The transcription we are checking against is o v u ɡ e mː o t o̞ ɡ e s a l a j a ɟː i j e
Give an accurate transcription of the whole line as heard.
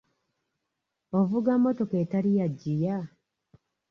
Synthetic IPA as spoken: o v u ɡ a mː o t o̞ k e t a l i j a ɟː i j a